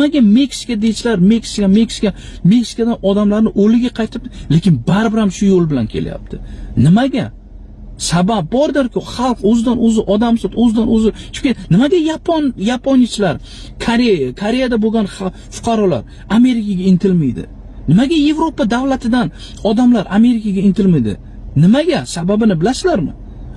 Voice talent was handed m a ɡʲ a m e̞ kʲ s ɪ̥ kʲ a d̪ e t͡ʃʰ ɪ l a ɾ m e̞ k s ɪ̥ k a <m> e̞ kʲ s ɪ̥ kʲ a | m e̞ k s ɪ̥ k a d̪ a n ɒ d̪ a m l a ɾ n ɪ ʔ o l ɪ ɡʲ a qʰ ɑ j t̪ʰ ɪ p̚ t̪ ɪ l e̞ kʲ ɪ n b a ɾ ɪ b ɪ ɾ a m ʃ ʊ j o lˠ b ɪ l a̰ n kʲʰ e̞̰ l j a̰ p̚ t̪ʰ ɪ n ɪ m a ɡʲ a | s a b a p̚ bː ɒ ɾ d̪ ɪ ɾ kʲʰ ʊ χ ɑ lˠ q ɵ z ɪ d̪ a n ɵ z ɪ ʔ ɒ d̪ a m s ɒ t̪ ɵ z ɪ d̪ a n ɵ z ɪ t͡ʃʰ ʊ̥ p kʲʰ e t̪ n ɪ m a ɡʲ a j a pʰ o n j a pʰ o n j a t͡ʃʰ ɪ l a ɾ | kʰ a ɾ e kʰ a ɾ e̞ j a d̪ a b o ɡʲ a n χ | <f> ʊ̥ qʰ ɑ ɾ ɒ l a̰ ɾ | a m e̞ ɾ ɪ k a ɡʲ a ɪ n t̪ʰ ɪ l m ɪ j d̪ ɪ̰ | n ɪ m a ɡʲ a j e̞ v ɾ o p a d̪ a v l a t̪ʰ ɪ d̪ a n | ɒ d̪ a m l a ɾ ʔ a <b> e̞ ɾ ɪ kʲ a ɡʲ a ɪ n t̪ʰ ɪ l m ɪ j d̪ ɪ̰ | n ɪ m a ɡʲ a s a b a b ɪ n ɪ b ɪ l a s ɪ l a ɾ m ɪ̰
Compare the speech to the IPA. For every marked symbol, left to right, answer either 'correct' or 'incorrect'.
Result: correct, correct, incorrect

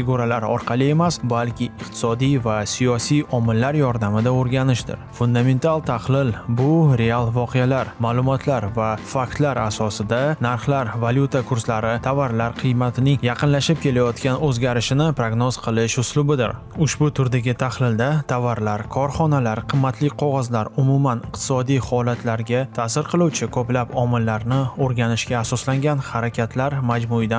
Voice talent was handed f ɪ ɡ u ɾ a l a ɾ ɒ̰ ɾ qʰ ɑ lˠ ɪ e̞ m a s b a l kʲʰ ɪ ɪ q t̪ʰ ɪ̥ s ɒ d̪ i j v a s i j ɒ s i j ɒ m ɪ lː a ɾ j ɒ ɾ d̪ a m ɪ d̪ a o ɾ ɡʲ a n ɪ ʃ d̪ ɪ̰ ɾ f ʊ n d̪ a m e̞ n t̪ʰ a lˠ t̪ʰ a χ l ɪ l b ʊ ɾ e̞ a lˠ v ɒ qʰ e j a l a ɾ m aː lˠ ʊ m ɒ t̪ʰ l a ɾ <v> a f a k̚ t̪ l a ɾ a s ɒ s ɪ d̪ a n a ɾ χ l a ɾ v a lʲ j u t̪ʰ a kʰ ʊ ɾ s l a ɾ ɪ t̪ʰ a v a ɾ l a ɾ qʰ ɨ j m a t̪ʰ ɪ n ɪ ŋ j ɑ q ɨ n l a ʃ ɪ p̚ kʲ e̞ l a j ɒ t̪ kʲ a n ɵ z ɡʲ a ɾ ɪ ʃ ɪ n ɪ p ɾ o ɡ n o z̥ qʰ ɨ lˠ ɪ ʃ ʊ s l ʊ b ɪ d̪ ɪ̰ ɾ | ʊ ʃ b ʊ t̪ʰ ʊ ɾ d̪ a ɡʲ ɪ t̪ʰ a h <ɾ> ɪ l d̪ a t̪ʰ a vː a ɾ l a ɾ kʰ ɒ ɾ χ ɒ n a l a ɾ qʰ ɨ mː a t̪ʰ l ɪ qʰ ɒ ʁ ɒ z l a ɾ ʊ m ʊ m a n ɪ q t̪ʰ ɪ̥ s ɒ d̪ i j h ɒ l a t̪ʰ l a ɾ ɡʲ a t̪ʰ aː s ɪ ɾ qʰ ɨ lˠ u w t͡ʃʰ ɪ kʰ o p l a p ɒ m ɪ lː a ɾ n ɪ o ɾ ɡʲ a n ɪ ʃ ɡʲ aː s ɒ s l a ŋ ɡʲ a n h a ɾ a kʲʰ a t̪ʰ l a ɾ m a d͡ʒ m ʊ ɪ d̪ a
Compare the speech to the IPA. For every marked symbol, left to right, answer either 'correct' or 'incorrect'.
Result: correct, incorrect

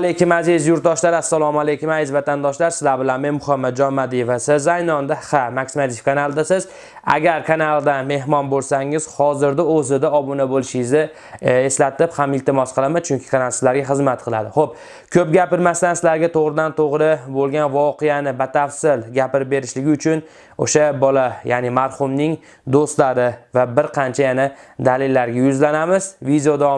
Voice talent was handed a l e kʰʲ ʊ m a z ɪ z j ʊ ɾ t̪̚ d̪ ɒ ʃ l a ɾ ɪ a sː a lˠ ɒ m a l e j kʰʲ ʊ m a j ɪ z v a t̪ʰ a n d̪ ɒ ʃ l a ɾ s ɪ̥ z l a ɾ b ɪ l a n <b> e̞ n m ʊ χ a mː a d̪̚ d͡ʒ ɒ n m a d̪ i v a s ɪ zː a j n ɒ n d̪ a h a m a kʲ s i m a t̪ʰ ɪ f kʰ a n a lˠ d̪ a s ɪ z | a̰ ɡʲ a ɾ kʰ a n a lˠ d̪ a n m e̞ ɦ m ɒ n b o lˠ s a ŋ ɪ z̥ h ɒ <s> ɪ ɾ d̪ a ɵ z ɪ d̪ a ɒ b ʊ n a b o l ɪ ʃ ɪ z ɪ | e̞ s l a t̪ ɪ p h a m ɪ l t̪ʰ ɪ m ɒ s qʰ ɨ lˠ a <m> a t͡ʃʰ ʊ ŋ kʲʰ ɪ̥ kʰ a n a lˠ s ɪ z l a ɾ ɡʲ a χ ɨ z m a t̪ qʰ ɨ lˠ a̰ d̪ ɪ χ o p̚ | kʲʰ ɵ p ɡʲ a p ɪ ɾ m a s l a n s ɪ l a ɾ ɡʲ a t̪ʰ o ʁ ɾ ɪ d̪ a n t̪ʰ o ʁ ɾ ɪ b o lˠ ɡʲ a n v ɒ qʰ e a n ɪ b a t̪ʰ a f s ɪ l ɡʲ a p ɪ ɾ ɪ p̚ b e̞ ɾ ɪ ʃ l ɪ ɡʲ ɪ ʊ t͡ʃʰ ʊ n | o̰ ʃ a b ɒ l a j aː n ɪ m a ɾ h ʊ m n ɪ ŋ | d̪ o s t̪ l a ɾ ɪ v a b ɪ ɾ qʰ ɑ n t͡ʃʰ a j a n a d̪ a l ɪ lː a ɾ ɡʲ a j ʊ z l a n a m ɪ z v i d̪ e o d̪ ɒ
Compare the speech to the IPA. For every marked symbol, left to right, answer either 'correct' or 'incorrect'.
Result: incorrect, incorrect, correct

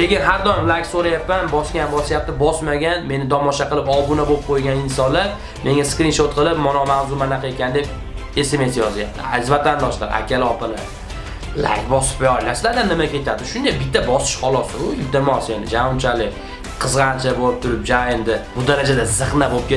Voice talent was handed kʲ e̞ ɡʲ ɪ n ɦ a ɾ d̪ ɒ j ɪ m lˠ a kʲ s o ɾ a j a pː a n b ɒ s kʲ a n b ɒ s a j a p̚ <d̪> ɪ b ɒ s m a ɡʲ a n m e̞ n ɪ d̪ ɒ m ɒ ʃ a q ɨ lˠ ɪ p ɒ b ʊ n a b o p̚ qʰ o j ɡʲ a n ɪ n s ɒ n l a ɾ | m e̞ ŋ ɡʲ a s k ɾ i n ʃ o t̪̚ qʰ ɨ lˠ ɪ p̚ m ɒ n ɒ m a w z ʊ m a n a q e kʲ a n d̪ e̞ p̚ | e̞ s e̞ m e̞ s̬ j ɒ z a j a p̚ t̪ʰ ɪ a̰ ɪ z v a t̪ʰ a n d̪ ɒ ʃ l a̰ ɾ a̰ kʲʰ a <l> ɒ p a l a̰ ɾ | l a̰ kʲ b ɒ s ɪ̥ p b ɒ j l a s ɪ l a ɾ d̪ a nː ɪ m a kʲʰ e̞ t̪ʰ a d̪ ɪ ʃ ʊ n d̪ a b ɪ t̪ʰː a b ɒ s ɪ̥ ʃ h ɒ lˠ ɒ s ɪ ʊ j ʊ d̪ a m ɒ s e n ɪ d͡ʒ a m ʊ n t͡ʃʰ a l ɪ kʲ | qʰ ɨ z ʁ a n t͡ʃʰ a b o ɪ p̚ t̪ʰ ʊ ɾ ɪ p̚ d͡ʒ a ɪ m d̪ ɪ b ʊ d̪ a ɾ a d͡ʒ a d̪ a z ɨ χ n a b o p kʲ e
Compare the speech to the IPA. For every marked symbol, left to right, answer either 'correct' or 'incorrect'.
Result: incorrect, correct

